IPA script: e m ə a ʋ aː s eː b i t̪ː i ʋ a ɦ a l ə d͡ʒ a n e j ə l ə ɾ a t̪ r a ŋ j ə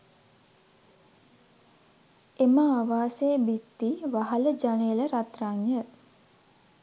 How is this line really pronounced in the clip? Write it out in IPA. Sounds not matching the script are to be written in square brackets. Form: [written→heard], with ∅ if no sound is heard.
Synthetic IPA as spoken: e m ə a ʋ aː s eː b i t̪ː i ʋ a ɦ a l ə d͡ʒ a n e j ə l ə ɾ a t̪ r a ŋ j ə